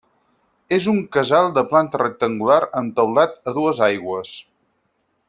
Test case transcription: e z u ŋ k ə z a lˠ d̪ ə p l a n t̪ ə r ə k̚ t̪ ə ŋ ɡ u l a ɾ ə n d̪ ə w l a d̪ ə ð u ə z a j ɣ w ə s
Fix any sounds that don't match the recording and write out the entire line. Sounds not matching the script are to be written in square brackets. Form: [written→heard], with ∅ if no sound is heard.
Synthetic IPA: e z u ŋ k ə z a lˠ d̪ ə p l a n t̪ ə r ə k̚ t̪ ə ŋ ɡ u l a ɾ ə n [d̪→t̪] ə w l a [d̪→t̪] ə ð u ə z a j ɣ w ə s